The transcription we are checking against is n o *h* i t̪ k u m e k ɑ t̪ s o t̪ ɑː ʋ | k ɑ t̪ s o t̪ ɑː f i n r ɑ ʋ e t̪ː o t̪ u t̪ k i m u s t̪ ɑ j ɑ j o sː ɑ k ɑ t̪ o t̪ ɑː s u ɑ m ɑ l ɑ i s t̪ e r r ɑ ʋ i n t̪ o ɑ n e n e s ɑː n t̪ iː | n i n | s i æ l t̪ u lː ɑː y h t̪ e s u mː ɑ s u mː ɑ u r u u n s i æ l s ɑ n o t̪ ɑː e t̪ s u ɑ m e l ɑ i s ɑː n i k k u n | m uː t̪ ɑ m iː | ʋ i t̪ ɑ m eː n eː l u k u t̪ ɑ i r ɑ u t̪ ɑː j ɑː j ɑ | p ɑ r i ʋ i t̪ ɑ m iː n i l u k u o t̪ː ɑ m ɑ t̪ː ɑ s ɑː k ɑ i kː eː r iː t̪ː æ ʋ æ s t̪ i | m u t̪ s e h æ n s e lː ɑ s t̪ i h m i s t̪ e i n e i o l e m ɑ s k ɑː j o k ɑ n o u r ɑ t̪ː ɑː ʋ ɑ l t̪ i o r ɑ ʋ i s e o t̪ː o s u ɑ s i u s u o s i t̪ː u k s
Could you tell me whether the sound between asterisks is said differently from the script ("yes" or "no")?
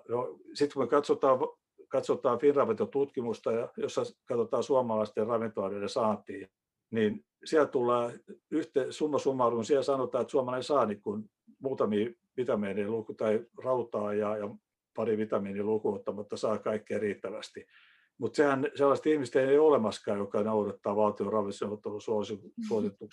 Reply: yes